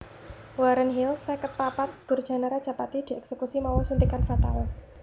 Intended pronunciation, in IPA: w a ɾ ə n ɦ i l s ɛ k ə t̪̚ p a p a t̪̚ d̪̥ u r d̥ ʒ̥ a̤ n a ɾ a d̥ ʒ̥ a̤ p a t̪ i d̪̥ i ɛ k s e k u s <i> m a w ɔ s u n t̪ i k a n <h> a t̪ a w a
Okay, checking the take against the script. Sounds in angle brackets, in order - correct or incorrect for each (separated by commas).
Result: correct, incorrect